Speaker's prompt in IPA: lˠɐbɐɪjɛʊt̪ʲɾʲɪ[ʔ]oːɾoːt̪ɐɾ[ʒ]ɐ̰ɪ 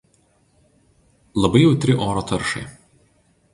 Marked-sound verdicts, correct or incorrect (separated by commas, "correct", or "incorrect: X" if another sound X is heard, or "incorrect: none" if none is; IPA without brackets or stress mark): correct, incorrect: ʃ